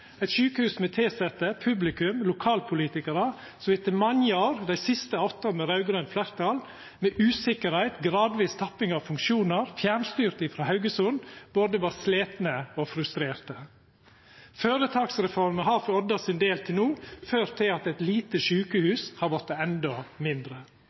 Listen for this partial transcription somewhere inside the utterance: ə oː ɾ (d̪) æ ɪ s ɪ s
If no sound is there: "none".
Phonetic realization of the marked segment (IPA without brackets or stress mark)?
d̪